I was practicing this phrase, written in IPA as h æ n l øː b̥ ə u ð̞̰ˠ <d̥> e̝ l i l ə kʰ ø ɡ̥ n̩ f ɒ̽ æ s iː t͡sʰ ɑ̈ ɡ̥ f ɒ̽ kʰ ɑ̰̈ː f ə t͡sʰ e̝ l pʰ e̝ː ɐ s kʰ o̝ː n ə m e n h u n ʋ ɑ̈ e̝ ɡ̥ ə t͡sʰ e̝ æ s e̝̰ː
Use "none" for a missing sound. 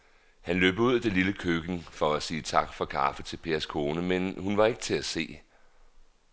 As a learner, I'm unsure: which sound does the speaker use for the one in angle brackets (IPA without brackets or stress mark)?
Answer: d̥